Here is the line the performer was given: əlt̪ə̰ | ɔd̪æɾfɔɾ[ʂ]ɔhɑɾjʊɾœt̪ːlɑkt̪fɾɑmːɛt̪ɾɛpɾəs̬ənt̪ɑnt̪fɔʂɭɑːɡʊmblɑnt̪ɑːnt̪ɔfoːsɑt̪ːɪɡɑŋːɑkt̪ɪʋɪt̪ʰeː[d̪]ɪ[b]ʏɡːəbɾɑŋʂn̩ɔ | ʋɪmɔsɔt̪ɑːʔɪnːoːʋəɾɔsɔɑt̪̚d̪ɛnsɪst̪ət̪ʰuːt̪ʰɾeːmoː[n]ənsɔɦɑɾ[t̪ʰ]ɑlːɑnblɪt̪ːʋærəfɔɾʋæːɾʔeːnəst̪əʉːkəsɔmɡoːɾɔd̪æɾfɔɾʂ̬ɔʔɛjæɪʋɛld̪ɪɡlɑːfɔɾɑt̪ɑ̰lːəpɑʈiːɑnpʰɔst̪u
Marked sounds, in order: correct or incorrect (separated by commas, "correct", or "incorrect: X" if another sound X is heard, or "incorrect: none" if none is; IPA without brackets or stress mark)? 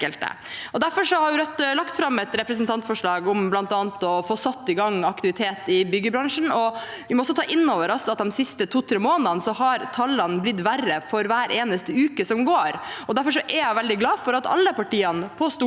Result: correct, incorrect: t̪, correct, correct, correct